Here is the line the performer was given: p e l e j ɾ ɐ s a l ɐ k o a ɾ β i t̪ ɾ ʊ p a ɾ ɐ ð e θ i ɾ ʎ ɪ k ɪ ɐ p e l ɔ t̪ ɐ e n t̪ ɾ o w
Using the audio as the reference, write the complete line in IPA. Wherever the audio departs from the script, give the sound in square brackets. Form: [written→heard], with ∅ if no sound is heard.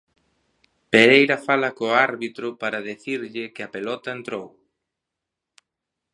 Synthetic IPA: p e [l→ɾ] e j ɾ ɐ [s→f] a l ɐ k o a ɾ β i t̪ ɾ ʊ p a ɾ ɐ ð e θ i ɾ ʎ ɪ k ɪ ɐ p e l ɔ t̪ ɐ e n t̪ ɾ o w